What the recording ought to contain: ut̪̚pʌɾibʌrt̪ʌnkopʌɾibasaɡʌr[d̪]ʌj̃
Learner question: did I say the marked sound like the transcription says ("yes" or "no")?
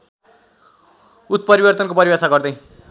yes